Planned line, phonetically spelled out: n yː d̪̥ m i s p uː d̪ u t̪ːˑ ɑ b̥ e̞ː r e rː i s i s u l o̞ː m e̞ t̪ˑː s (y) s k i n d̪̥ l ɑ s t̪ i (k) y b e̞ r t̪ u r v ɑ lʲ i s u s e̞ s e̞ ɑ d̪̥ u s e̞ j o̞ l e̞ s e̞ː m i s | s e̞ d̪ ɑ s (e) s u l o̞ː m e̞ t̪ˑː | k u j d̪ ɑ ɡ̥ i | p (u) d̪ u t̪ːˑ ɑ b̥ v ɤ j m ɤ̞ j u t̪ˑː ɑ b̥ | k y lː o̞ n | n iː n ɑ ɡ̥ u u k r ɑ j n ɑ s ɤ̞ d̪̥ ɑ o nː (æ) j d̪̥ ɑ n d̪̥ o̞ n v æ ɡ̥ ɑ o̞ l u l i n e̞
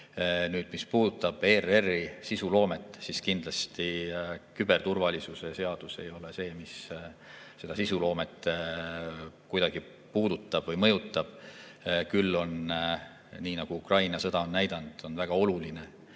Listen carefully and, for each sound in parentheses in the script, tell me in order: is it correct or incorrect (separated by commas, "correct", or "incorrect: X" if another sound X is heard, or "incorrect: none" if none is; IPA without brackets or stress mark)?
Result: incorrect: i, correct, incorrect: i, incorrect: uː, correct